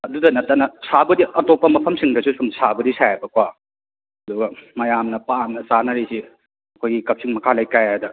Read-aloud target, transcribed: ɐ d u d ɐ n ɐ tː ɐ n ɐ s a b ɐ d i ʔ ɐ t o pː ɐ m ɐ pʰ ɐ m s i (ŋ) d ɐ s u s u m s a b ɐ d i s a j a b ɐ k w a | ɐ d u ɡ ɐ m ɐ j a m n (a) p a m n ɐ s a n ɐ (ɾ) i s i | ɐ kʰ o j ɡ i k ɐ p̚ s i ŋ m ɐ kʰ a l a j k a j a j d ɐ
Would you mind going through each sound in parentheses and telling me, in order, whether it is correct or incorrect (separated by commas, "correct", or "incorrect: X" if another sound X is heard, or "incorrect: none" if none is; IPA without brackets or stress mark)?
correct, incorrect: ɐ, correct